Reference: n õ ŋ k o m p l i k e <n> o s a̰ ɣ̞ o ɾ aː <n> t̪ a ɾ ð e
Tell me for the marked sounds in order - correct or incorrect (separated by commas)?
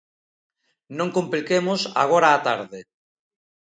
incorrect, incorrect